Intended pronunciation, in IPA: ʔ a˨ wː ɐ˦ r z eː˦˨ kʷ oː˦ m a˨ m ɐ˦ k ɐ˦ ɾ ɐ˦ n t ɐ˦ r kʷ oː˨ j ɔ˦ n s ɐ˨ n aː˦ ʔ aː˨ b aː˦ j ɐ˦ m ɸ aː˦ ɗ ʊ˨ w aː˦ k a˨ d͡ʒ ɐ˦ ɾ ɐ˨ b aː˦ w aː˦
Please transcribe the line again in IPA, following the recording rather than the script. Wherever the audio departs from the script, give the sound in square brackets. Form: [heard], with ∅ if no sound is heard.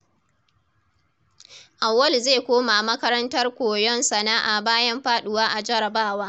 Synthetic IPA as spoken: ʔ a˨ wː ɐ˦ [l] z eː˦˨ kʷ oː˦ m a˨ m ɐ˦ k ɐ˦ ɾ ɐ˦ n t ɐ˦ r kʷ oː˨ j ɔ˦ n s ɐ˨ n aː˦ ʔ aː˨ b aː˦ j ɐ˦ m ɸ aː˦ ɗ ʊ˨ w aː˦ [ʔ] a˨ d͡ʒ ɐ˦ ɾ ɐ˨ b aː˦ w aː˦

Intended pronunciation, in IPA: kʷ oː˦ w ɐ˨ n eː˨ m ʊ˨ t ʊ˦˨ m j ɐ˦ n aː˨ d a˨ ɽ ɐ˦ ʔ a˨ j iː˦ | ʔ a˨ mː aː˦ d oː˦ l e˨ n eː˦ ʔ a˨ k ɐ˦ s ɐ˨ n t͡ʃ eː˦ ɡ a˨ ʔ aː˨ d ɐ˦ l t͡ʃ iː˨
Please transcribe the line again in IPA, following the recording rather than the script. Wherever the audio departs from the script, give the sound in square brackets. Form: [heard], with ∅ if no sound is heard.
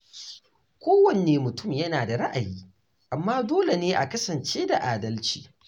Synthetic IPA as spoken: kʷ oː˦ w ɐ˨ n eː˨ m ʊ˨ t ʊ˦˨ m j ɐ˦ n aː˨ d a˨ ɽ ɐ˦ ʔ a˨ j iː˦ | ʔ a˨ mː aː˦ d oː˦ l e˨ n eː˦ ʔ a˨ k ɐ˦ s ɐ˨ n t͡ʃ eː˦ [d] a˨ ʔ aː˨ d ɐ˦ l t͡ʃ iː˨

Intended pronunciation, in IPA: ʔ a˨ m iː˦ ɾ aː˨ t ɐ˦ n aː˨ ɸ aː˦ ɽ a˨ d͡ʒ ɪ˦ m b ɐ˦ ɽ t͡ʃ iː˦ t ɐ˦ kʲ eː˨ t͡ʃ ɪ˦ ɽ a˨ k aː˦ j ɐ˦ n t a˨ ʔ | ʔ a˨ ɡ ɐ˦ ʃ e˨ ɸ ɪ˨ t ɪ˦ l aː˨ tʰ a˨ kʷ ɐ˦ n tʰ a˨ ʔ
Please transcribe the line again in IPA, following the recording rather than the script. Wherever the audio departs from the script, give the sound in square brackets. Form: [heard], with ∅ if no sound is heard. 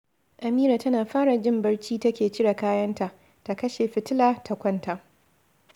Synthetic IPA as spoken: ʔ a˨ m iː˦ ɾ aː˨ t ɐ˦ n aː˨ ɸ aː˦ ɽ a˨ d͡ʒ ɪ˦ m b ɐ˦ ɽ t͡ʃ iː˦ t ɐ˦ kʲ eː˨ t͡ʃ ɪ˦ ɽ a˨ k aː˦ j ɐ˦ n t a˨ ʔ | [t] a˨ [k] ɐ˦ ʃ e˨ ɸ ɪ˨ t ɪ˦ l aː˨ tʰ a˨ kʷ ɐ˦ n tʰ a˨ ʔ

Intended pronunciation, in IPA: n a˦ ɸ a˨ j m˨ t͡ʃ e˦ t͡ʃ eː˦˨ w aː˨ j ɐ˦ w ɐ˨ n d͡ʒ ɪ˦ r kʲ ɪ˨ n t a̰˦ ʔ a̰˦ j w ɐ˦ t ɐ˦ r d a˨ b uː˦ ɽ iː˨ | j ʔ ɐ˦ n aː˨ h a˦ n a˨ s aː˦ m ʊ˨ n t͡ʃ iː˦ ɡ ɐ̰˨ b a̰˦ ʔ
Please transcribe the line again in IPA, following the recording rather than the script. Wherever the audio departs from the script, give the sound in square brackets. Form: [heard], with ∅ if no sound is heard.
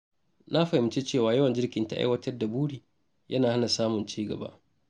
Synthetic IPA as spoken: n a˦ ɸ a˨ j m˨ t͡ʃ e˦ t͡ʃ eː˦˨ w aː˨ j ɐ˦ w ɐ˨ n d͡ʒ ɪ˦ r kʲ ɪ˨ n t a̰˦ ʔ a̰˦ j w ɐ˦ t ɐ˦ r d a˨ b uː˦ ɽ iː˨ | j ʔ ɐ˦ n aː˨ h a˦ n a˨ s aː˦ m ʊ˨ n t͡ʃ iː˦ ɡ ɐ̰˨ b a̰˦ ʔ

